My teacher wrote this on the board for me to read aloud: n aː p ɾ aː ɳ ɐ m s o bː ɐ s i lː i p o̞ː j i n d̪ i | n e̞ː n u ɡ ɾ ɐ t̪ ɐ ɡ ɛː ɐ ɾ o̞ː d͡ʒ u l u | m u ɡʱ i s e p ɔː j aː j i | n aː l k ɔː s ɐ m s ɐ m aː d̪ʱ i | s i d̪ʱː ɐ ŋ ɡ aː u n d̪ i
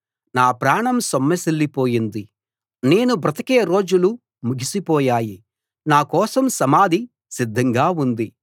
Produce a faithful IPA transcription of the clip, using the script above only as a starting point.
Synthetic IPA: n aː p ɾ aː ɳ ɐ m s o mː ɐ s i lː i p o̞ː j i n d̪ i | n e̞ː n u b ɾ ɐ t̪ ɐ k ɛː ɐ ɾ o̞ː d͡ʒ u l u | m u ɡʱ i s i p ɔː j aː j i | n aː k ɔː s ɐ m s ɐ m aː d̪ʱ i | s i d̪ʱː ɐ ŋ ɡ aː u n d̪ i